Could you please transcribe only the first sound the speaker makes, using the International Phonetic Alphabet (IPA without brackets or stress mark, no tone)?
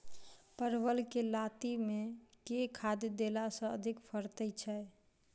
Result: p